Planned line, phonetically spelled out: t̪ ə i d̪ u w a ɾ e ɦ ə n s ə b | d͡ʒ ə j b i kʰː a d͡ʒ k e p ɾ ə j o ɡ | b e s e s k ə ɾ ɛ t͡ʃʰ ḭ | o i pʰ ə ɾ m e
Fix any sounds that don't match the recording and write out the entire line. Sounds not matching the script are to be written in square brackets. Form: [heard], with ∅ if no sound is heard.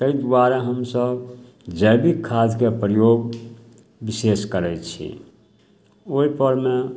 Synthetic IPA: t̪ ə i d̪ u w a ɾ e ɦ ə [m] s ə b | d͡ʒ ə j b i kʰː a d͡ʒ k e p ɾ ə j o ɡ | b [i] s e s k ə ɾ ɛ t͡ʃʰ ḭ | o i [p] ə ɾ m e